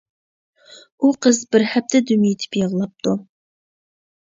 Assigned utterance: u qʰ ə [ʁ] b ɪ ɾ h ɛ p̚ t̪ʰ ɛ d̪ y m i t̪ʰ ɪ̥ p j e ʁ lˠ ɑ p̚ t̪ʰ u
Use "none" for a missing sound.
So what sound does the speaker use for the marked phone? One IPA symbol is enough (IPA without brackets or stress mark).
z